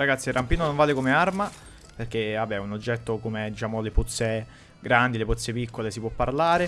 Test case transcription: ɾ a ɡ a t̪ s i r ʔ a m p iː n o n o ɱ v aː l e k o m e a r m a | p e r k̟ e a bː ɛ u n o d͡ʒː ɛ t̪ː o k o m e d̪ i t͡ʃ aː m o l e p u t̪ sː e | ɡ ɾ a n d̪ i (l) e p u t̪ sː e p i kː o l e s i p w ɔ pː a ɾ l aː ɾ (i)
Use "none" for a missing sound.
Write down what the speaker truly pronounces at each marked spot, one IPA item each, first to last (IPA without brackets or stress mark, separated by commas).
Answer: l, e